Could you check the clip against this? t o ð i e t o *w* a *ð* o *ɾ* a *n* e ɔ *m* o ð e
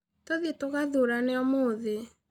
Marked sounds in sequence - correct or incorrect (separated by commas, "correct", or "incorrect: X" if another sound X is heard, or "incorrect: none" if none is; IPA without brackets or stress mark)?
incorrect: ɣ, correct, correct, correct, correct